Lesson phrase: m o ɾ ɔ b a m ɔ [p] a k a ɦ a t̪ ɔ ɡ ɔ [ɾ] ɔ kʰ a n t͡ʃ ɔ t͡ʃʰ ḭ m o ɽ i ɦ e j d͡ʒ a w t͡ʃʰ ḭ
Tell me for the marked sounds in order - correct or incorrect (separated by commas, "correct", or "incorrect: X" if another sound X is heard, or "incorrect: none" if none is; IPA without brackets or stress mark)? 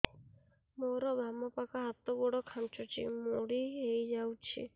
correct, incorrect: ɽ